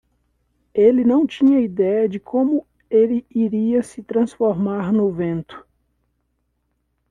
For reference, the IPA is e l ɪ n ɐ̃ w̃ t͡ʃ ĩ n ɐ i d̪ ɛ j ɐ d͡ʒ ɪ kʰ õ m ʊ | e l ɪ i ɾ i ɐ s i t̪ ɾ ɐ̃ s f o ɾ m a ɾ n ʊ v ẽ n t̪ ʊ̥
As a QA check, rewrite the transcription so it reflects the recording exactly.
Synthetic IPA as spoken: e l ɪ n ɐ̃ w̃ t͡ʃ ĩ ɲ ɐ i d̪ ɛ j ɐ d͡ʒ ɪ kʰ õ m ʊ | e l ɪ i ɾ i ɐ s ɪ t̪ ɾ ɐ̃ s f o ɾ m a ɾ n ʊ v ẽ n t̪ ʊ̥